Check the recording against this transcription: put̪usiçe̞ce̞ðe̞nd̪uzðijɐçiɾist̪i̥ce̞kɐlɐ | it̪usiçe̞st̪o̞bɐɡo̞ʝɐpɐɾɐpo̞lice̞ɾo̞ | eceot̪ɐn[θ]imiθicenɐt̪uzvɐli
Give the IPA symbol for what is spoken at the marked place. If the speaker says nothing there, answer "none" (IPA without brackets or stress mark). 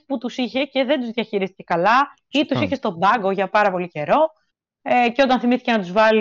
θ